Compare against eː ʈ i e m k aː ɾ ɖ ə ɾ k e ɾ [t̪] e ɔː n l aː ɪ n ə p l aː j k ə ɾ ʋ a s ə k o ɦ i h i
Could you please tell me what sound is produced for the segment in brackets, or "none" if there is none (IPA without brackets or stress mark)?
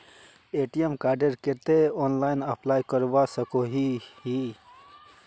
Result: t̪